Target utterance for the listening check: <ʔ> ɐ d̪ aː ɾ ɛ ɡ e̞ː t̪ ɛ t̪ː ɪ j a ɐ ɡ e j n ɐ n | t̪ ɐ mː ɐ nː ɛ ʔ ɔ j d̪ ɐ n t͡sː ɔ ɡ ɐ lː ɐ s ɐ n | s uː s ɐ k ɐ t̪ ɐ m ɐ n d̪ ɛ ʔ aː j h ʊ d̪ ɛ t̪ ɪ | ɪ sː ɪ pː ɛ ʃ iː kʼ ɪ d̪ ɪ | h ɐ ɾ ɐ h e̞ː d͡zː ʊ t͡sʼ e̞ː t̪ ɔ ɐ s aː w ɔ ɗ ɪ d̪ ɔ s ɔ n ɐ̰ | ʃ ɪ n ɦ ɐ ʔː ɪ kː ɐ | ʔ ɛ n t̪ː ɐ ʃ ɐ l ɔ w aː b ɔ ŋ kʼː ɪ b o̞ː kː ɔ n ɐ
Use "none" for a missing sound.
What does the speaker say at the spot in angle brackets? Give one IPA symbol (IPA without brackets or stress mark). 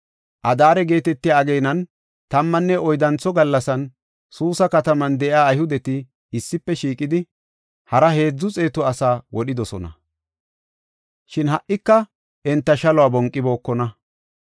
ʔ